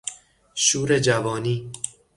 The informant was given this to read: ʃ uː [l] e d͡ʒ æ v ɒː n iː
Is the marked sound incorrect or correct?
incorrect: ɾ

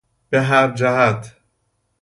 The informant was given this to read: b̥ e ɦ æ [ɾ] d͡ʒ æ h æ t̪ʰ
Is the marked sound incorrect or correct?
correct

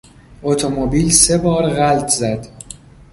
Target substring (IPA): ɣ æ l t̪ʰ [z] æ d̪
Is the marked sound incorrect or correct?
correct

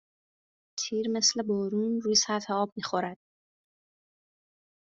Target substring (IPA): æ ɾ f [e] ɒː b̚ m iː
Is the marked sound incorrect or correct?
correct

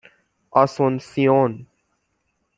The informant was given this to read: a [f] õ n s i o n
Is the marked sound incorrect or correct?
incorrect: s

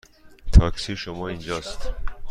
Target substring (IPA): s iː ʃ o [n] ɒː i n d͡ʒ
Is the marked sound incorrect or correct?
incorrect: m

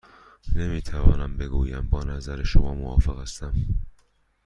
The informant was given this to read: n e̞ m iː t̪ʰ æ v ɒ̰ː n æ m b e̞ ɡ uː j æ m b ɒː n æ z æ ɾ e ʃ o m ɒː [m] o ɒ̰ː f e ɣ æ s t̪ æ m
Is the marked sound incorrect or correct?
correct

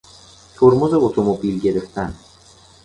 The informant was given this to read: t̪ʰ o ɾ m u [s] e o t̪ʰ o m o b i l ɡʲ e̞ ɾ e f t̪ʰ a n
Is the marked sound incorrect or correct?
incorrect: z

